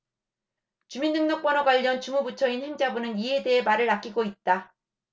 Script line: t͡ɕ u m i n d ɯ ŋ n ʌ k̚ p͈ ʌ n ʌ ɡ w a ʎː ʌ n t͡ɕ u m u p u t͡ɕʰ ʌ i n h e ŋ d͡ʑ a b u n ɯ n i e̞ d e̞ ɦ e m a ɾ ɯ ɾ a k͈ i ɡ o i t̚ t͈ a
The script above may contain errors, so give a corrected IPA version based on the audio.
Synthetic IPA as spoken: t͡ɕ u m i n d ɯ ŋ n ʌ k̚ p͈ ʌ n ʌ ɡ w a ʎː ʌ n t͡ɕ u m u b u t͡ɕʰ ʌ i n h e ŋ d͡ʑ a b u n ɯ n i e̞ d e̞ ɦ e m a ɾ ɯ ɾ a k͈ i ɡ o i t̚ t͈ a